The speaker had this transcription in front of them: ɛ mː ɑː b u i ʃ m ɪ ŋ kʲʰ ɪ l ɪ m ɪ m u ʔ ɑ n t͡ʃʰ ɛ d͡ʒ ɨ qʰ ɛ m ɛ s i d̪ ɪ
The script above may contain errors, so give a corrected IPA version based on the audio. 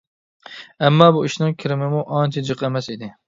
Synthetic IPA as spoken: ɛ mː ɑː b u i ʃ n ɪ ŋ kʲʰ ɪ ɾ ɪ m ɪ m u ʔ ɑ n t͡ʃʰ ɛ d͡ʒ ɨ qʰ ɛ m ɛ s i d̪ ɪ